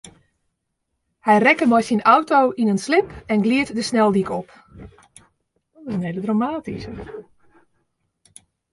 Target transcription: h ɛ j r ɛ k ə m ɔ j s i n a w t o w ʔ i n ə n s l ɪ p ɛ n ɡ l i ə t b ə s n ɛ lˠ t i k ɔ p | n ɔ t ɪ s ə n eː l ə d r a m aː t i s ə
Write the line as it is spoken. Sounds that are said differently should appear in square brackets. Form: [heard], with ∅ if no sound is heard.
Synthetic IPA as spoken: h ɛ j r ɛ k ə m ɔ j s i n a w t o w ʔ i n ə n s l ɪ p ɛ n ɡ l i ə t [d] ə s n ɛ lˠ [d] i k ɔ p | [d] ɔ t ɪ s ə n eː l ə d r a m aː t i s ə